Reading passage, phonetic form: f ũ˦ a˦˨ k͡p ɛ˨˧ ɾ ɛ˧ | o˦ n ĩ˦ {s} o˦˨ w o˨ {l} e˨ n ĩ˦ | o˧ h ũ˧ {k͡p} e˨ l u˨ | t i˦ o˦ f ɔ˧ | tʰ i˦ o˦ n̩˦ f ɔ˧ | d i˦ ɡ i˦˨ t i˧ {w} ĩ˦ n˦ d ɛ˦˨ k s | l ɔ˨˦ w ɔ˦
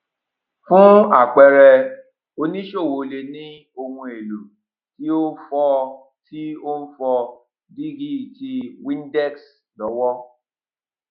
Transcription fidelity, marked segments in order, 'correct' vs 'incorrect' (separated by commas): incorrect, correct, incorrect, correct